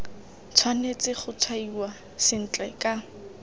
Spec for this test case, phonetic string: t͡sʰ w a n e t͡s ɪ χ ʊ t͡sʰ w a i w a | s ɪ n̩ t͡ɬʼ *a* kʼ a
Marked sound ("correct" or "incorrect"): incorrect